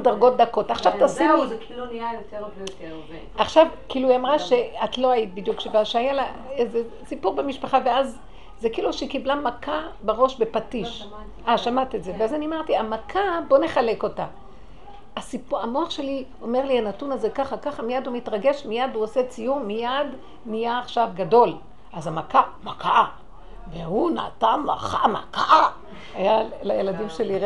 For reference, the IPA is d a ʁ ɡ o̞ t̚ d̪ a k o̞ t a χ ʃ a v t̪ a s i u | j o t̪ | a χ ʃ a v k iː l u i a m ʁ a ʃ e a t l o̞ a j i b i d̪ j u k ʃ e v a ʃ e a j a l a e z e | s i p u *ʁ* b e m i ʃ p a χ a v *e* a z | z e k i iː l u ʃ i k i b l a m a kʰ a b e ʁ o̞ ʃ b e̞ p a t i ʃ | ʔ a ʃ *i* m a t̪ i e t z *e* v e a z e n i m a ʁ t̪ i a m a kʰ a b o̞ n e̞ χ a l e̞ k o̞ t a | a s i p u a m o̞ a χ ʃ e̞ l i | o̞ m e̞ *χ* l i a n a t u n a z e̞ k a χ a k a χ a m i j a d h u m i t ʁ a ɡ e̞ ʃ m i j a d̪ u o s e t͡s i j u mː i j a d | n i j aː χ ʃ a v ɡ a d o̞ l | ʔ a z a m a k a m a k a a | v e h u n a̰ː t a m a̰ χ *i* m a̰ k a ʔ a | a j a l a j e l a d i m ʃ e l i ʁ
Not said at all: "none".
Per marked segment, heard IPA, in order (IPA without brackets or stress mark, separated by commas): ʁ, e, a, e, ʁ, a